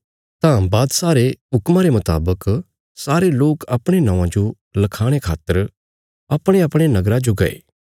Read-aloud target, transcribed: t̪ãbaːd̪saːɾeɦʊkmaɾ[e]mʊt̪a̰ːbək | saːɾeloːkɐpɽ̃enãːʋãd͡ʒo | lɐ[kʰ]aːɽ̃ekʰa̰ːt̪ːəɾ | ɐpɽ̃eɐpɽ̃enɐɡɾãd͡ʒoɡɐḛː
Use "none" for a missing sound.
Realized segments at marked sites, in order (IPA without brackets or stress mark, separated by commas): e, kʰ